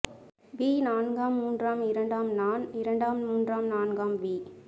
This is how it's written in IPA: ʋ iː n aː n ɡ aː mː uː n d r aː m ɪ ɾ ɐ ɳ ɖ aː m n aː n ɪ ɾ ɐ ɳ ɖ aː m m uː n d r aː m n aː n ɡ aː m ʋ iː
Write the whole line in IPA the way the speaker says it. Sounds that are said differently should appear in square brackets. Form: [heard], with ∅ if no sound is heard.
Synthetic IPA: ʋ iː n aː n ɡ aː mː uː n d r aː m ɪ ɾ ɐ ɳ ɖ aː m n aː n ɪ ɾ ɐ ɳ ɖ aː m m uː n d r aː m n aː n ɡ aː m ʋ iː